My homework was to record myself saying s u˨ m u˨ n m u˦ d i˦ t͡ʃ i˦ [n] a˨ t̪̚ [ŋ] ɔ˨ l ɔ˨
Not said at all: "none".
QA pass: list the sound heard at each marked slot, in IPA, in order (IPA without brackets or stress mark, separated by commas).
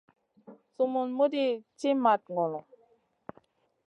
m, ŋ